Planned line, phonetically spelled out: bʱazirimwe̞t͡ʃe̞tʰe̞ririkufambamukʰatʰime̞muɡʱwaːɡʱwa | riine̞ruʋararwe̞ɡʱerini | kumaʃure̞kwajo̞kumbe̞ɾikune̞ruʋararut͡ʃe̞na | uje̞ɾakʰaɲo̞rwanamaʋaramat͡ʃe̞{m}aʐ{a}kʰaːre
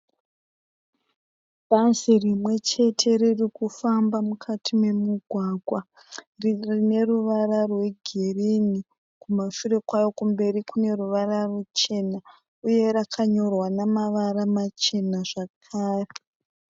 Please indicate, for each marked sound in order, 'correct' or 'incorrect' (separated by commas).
incorrect, correct